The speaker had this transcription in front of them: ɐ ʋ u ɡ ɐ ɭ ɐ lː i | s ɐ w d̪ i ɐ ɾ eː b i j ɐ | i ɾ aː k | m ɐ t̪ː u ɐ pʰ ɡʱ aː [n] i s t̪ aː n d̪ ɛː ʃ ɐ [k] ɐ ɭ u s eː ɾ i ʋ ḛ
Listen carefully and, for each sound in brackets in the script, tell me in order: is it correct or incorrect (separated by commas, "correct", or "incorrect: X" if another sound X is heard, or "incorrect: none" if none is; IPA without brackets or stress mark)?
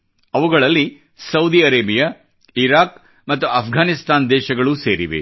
correct, incorrect: ɡ